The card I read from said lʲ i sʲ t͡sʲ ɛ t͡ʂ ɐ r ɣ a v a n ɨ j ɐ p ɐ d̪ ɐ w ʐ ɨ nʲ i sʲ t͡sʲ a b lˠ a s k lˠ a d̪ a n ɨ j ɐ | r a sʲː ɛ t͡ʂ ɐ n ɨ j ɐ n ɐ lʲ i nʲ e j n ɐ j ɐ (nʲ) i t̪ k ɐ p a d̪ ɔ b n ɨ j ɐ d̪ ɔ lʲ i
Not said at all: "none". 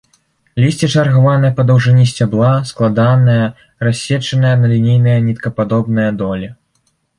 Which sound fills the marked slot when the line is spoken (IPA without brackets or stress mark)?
nʲ